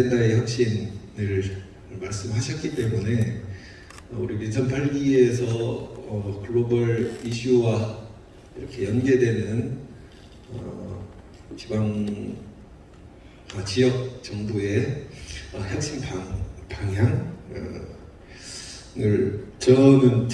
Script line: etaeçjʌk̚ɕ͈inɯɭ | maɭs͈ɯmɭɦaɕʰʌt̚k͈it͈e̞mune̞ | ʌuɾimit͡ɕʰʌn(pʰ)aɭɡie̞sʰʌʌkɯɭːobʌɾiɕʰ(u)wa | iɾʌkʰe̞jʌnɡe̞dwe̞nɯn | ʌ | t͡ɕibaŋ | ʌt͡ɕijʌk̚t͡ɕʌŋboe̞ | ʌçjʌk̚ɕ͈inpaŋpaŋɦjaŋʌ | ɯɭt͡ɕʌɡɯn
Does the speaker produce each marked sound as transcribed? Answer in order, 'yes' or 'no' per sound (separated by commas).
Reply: yes, yes